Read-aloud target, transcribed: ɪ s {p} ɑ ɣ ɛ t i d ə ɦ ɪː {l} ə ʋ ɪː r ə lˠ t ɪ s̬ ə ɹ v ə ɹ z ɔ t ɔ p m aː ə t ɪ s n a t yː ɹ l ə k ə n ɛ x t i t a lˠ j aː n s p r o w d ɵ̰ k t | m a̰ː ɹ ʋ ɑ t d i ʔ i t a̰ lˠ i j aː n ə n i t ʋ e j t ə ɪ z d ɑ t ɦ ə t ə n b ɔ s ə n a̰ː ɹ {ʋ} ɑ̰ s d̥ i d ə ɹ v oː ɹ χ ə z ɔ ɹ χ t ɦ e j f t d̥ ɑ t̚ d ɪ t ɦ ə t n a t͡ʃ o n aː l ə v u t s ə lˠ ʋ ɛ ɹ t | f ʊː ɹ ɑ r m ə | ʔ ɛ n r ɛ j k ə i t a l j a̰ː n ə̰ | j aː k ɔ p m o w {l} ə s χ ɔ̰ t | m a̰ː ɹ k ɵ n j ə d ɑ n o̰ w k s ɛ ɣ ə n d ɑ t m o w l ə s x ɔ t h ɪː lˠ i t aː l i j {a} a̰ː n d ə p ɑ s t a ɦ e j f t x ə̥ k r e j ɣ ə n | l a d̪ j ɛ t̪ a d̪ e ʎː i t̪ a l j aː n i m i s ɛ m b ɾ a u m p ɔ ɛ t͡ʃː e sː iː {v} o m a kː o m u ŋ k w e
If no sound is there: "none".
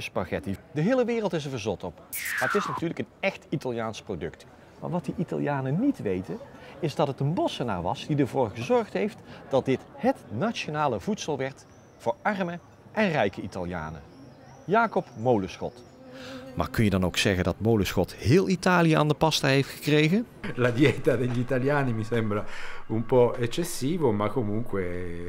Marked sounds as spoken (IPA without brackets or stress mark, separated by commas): p, l, ʋ, l, ə, v